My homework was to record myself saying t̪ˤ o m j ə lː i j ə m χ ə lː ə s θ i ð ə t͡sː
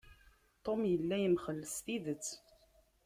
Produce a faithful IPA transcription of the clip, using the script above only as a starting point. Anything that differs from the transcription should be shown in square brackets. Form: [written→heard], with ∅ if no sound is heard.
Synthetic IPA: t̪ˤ o m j ə lː [i→æ] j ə m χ ə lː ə s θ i ð ə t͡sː